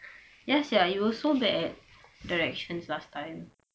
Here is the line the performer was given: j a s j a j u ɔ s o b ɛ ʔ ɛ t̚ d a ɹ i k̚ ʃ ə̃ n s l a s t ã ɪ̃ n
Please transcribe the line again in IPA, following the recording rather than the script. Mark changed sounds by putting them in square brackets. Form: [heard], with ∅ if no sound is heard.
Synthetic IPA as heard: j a s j a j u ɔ s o b ɛ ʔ ɛ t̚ d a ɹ [ɛ] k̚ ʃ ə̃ n s l a s t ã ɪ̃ [m]